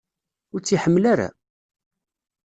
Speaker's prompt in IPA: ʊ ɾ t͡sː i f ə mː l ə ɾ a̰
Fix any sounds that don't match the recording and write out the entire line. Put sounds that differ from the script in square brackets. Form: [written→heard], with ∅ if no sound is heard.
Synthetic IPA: ʊ ɾ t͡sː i [f→ħ] ə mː l [ə→a] ɾ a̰

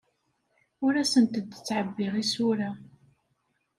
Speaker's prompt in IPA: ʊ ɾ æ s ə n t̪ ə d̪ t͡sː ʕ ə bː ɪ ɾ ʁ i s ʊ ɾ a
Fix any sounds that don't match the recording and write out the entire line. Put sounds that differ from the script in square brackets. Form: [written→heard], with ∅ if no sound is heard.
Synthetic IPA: ʊ ɾ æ s ə n t̪ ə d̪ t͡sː ʕ ə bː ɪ [ɾ→∅] ʁ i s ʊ ɾ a

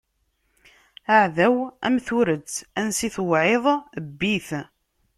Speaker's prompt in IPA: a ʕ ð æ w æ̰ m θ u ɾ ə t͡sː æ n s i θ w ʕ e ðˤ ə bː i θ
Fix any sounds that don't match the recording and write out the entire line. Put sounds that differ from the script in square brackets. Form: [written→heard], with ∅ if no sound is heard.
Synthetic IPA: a ʕ ð æ w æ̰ m θ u ɾ ə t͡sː æ n s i θ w ʕ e ðˤ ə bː i θ

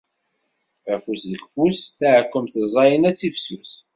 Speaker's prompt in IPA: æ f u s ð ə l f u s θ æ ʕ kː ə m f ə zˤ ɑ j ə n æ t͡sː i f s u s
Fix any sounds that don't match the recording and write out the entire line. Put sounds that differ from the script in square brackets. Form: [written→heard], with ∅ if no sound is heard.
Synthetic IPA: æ f u s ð ə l f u s θ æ ʕ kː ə m [f→θ] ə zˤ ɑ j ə n æ t͡sː i f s u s

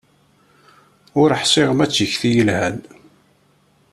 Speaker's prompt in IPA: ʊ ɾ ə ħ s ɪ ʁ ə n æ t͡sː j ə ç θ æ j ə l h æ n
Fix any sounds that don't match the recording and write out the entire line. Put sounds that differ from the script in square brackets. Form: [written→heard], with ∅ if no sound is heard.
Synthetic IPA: ʊ ɾ ə ħ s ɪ ʁ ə [n→m] æ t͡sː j ə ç θ [æ→i] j ə l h æ n

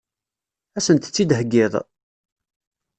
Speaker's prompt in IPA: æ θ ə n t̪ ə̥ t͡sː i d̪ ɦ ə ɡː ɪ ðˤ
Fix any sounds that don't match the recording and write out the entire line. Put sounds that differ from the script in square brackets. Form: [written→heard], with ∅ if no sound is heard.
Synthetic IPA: æ [θ→s] ə n t̪ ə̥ t͡sː i d̪ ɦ ə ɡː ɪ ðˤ

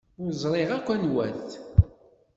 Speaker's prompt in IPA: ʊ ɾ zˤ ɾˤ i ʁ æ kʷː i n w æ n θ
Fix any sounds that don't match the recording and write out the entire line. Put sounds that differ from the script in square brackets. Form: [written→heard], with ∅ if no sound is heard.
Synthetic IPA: ʊ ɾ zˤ ɾˤ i ʁ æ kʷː [i→æ] n w æ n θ

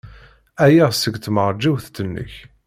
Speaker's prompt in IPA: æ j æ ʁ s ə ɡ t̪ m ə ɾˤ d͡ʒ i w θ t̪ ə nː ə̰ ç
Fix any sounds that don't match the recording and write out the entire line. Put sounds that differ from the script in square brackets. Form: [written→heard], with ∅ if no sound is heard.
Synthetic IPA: æ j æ ʁ s ə ɡ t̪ m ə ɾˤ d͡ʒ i w θ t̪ ə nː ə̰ ç

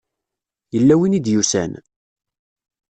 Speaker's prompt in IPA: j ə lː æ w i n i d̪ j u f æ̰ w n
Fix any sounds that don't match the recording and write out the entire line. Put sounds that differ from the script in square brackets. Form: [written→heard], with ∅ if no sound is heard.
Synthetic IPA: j ə lː æ w i n i d̪ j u [f→s] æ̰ [w→∅] n

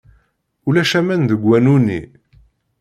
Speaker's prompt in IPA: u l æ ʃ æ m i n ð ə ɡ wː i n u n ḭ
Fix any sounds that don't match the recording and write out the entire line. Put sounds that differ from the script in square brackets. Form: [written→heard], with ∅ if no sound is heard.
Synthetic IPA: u l æ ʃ æ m [i→æ] n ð ə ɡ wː [i→æ] n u n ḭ

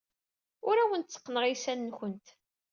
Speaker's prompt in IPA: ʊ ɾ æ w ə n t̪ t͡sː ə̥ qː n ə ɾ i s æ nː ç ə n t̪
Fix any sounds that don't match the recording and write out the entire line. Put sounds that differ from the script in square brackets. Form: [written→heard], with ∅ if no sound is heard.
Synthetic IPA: ʊ ɾ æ w ə n t̪ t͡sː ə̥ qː n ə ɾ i s æ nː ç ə n t̪

